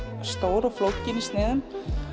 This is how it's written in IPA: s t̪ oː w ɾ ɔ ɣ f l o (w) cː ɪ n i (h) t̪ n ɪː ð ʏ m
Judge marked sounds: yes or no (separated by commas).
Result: yes, no